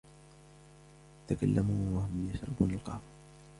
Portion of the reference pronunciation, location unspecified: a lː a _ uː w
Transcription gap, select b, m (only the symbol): m